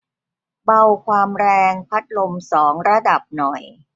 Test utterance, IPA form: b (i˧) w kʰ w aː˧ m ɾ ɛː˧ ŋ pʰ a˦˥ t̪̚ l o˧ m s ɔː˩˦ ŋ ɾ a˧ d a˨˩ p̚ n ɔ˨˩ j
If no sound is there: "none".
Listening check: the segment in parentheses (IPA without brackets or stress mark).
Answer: a˧